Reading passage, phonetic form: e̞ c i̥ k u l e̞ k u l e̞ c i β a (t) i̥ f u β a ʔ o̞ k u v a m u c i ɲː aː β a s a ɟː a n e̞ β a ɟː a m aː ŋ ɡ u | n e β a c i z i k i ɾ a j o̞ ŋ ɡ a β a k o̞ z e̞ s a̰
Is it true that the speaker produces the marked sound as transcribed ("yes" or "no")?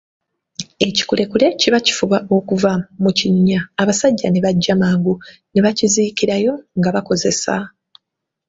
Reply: no